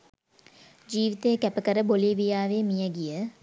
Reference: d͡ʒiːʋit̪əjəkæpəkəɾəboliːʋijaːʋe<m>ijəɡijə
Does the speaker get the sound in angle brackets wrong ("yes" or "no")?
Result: no